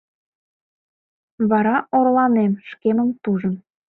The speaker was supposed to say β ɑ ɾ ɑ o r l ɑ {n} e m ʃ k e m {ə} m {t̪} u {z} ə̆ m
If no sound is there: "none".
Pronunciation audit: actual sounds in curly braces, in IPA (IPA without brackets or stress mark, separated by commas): n, ə, t̪, ʒ